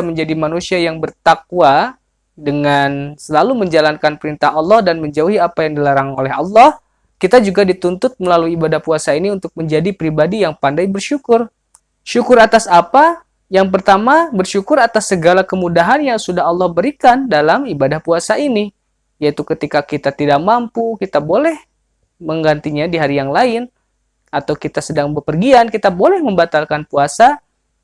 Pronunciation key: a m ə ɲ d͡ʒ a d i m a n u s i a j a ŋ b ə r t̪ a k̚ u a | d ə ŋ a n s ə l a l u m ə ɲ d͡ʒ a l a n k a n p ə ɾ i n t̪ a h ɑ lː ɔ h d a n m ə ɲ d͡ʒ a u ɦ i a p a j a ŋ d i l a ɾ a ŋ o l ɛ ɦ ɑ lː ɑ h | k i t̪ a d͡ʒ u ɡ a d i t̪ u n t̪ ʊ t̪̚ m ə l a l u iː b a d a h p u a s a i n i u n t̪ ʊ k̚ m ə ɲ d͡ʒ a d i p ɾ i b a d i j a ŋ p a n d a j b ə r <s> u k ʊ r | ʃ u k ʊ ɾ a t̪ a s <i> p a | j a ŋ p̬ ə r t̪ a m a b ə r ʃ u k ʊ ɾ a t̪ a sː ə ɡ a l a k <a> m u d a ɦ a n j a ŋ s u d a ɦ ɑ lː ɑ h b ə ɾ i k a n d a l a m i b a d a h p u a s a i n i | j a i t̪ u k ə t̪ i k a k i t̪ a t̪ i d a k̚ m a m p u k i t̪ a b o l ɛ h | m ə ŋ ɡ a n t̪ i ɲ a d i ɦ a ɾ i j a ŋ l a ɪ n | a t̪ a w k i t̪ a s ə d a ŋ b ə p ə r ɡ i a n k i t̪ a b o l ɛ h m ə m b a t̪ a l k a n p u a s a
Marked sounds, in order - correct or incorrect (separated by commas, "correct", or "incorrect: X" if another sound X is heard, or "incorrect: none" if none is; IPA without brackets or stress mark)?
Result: incorrect: ʃ, incorrect: a, incorrect: ə